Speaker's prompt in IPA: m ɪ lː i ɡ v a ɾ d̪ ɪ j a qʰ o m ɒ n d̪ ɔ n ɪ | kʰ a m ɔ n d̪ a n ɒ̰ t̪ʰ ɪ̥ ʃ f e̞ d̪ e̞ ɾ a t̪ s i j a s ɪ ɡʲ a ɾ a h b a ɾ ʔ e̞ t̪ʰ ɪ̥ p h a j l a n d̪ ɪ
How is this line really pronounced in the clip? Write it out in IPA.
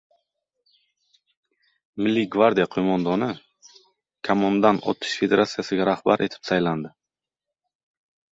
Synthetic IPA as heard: m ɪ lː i ɡ v a ɾ d̪ i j a qʰ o m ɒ n d̪ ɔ n ɪ | kʰ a m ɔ n d̪ a n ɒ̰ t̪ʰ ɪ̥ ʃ f e̞ d̪ e̞ ɾ a t̪ s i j a s ɪ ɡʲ a ɾ a h b a ɾ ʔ e̞ t̪ʰ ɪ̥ p s a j l a n d̪ ɪ